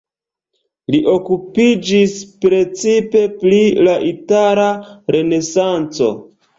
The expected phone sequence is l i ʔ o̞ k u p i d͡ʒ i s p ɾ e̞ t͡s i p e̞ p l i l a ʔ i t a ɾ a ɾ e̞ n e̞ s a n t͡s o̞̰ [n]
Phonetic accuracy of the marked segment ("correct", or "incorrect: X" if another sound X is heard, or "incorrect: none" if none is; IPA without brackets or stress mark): incorrect: none